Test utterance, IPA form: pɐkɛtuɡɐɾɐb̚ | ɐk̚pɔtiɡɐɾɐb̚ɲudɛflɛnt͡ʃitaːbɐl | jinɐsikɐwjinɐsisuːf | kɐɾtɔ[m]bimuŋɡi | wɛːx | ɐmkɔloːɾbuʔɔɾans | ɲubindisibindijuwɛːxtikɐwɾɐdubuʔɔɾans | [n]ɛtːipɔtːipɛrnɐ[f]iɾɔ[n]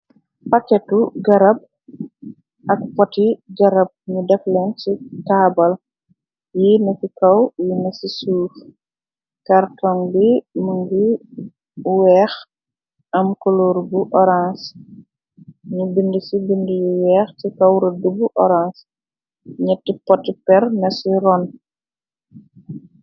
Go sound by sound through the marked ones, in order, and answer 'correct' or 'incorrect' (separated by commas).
incorrect, incorrect, incorrect, correct